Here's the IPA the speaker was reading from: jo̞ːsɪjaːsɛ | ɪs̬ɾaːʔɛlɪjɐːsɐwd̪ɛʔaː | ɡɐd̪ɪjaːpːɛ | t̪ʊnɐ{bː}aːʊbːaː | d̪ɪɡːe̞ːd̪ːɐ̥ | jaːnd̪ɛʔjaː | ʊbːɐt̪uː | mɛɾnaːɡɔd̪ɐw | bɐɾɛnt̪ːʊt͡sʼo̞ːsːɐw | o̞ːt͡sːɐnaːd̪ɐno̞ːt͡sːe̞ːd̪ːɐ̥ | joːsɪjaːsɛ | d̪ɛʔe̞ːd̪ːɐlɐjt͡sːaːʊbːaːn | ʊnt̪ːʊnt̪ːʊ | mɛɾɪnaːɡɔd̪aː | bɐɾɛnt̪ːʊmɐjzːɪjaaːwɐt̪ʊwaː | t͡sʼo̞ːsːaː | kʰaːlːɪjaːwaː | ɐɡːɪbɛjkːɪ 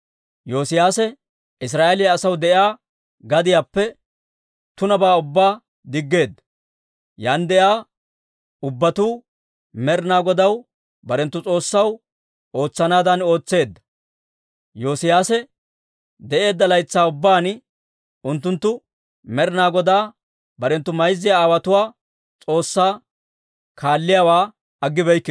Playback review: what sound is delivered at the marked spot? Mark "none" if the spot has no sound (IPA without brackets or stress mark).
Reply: b